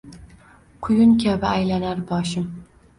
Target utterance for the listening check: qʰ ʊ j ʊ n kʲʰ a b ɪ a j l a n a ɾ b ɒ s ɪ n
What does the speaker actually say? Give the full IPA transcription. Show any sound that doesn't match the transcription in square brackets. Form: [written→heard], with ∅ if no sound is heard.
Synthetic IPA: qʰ ʊ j ʊ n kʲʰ a b ɪ a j l a n a ɾ b ɒ [s→ʃ] ɪ [n→m]